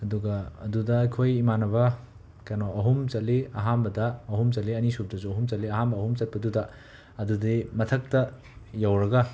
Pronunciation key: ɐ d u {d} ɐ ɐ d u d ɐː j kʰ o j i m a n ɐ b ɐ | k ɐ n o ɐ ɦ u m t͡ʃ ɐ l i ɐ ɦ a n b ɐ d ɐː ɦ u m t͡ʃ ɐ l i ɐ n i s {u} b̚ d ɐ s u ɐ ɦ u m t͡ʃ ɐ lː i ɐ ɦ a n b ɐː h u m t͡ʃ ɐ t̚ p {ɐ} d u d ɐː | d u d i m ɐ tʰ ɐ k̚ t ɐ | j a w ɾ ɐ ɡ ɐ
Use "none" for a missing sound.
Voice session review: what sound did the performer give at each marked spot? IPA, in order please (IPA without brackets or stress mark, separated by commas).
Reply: ɡ, u, ɐ